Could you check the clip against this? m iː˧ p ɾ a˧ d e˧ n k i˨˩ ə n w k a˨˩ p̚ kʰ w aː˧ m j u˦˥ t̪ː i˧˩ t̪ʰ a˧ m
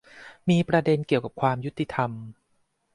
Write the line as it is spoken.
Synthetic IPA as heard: m iː˧ p ɾ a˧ d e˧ n k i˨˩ ə w k a˨˩ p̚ kʰ w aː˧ m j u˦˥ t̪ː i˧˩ t̪ʰ a˧ m